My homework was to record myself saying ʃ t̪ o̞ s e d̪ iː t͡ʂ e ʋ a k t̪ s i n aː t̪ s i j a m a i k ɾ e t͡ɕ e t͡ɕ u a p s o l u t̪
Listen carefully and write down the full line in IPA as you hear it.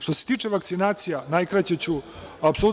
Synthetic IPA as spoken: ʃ t̪ o̞ s e t̪ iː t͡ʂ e ʋ a k t̪ s i n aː t̪ s i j a n a j k ɾ a t͡ɕ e t͡ɕ u a p s o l u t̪